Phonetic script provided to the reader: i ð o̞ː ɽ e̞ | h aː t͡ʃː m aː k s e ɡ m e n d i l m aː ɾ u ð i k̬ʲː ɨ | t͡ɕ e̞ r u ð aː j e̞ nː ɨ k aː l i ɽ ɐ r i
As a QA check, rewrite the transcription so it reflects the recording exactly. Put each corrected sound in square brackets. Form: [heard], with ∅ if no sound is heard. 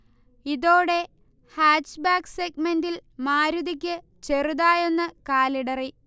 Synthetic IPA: i ð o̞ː ɽ e̞ | h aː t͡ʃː [b] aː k s e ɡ m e n d i l m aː ɾ u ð i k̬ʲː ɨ | t͡ɕ e̞ r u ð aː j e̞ nː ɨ k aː l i ɽ ɐ r i